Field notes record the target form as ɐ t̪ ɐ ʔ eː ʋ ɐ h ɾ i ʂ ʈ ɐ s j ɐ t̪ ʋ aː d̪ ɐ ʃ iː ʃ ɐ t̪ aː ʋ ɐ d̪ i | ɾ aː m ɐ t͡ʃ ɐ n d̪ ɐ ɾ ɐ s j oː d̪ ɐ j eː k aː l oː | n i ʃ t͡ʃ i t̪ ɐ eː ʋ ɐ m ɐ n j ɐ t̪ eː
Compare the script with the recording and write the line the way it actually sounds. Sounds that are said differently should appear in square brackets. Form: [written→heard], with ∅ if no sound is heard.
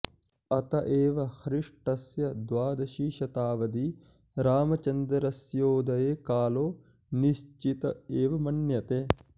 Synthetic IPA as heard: ɐ t̪ ɐ ʔ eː ʋ ɐ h ɾ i ʂ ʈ ɐ s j ɐ [t̪→d̪] ʋ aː d̪ ɐ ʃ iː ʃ ɐ t̪ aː ʋ ɐ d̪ i | ɾ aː m ɐ t͡ʃ ɐ n d̪ ɐ ɾ ɐ s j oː d̪ ɐ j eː k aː l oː | n i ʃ t͡ʃ i t̪ ɐ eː ʋ ɐ m ɐ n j ɐ t̪ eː